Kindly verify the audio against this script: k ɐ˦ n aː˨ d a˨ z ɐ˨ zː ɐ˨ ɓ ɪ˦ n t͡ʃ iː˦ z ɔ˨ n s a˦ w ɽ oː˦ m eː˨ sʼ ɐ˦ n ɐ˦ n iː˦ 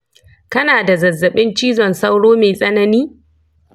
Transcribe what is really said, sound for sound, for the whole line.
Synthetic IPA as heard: k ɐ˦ n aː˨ d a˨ z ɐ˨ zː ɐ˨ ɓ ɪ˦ n t͡ʃ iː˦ z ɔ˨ n s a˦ w ɽ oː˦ m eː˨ sʼ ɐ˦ n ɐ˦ n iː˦